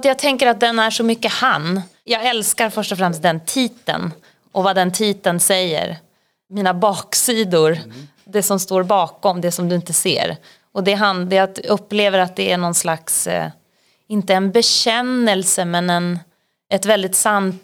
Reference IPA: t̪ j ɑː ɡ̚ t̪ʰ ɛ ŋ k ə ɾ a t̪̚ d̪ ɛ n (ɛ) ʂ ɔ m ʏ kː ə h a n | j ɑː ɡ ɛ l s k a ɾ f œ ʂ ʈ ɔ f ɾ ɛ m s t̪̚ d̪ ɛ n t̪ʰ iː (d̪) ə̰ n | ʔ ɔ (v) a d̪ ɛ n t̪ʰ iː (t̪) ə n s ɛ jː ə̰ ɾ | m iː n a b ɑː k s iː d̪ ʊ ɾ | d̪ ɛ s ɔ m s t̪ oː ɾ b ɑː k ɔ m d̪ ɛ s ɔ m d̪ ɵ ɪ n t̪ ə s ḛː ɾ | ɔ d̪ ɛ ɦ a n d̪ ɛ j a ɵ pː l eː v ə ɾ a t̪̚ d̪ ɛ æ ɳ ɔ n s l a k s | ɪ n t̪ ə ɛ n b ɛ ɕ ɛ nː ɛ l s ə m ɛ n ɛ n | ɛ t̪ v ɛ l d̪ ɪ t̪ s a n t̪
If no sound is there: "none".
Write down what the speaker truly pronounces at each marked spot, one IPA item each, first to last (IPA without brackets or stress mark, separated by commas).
æ, t̪, v, t̪